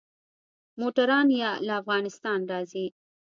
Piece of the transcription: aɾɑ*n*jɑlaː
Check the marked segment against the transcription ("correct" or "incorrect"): correct